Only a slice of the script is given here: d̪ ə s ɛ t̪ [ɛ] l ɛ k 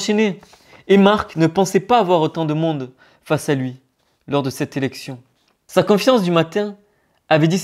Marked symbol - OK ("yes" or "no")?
no